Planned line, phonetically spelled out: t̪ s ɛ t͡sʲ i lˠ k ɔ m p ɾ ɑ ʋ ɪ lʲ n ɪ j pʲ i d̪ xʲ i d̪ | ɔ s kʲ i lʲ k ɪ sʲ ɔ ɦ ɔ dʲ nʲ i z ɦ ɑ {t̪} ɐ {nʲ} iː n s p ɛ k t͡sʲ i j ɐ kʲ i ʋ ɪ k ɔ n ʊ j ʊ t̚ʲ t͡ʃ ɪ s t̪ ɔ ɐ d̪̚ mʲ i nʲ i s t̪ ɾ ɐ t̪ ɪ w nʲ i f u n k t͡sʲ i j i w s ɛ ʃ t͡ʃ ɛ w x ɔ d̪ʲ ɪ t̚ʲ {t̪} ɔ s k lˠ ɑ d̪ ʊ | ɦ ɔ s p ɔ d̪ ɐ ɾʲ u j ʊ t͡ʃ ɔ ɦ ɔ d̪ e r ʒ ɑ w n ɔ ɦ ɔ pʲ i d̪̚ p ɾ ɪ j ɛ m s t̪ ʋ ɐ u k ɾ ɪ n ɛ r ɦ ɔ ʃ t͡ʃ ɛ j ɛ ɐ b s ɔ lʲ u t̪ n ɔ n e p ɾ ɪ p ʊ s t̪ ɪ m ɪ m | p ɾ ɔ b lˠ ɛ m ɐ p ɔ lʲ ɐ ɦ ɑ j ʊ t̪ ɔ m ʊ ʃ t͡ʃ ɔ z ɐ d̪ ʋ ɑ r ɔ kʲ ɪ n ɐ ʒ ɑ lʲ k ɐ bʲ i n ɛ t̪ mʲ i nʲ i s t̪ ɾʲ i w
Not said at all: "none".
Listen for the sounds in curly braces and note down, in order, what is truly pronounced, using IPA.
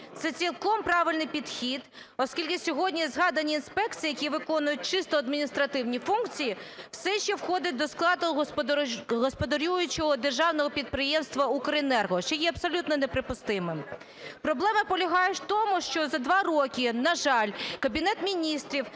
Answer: d̪, nʲ, d̪

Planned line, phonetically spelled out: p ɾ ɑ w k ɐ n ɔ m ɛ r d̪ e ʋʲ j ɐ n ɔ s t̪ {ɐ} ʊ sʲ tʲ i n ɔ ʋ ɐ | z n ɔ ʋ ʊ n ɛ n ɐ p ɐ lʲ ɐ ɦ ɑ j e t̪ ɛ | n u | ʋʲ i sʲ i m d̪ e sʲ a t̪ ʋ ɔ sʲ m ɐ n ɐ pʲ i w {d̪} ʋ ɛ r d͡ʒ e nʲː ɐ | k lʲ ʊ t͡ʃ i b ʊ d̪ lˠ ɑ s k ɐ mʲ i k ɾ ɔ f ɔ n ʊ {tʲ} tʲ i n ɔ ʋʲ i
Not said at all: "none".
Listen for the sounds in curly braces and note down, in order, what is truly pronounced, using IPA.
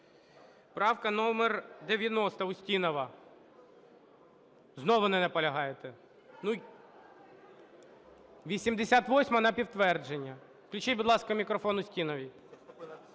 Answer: ɐ, t̪, sʲ

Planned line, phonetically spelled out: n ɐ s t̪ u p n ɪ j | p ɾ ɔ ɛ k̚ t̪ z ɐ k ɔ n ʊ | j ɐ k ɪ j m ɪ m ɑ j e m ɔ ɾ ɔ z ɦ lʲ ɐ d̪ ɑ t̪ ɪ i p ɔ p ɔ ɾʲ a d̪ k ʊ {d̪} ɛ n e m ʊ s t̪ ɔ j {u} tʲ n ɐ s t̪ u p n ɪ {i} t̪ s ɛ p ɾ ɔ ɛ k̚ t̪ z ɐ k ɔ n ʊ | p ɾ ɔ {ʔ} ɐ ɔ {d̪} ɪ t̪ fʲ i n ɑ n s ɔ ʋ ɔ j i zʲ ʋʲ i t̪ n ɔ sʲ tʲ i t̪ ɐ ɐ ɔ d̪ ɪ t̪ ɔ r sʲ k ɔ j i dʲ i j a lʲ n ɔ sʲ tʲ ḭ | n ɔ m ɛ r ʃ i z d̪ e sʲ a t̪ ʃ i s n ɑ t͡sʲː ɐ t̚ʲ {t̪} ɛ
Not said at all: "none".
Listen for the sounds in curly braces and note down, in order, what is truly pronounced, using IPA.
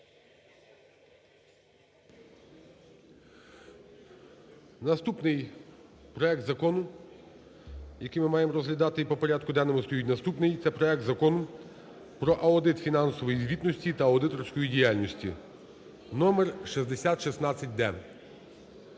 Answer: d̪, u, j, ʔ, d̪, d̪

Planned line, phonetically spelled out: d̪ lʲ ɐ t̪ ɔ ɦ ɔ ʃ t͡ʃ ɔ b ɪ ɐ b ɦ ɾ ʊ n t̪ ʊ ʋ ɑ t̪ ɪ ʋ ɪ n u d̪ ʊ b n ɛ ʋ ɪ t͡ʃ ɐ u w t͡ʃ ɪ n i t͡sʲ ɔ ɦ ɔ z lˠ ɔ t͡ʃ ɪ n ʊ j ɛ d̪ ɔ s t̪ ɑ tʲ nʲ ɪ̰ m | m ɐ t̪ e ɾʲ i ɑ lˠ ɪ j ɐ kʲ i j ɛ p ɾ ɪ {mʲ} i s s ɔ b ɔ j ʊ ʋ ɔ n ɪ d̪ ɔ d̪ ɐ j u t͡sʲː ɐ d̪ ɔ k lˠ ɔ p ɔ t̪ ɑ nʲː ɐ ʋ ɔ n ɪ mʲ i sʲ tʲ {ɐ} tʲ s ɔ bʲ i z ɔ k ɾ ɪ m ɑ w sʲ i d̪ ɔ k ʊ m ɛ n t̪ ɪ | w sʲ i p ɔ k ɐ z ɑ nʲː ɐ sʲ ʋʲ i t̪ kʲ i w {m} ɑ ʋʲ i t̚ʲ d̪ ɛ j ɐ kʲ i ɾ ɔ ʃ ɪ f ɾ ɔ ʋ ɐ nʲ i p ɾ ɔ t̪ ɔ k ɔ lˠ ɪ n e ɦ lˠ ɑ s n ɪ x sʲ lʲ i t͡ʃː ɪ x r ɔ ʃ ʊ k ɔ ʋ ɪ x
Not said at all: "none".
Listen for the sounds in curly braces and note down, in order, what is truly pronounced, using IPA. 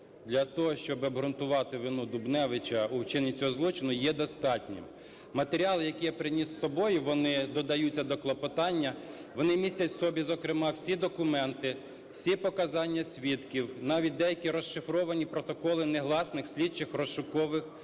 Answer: nʲ, ɐ, n

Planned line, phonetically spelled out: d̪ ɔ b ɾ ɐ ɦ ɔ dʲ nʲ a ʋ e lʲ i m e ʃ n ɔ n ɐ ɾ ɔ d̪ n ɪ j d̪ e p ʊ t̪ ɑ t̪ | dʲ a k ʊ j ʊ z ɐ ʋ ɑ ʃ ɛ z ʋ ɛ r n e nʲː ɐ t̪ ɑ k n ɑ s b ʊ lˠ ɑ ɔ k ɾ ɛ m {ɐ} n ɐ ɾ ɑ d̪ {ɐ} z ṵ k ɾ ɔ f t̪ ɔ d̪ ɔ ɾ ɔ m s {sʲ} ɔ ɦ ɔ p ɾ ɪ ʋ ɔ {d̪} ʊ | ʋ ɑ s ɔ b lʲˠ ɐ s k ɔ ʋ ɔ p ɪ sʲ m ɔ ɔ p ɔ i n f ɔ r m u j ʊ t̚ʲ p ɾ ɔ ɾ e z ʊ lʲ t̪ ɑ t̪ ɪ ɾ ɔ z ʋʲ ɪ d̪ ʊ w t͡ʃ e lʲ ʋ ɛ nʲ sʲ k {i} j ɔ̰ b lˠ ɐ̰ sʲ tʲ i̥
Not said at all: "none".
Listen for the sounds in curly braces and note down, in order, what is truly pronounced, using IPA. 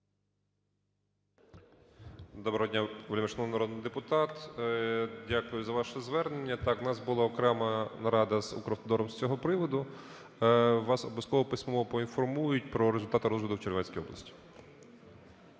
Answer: ɐ, ɐ, t͡sʲ, d̪, i

